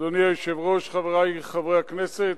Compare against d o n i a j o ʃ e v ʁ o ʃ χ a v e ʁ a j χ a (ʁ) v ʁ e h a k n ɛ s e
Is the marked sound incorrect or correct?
incorrect